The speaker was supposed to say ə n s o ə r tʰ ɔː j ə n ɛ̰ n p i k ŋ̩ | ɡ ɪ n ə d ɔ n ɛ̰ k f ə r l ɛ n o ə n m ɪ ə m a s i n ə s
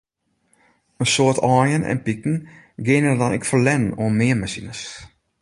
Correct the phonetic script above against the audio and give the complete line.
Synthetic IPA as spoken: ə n s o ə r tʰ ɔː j ə n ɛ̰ n p i k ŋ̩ | ɡ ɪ n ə d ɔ n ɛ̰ k f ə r l ɛ n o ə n m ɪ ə m a s i n ə s